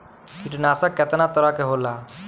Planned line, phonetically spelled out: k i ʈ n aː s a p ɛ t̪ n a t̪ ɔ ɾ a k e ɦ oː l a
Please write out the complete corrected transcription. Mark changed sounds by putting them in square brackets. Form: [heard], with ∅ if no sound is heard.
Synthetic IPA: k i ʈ n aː s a [k] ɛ t̪ n a t̪ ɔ ɾ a k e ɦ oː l a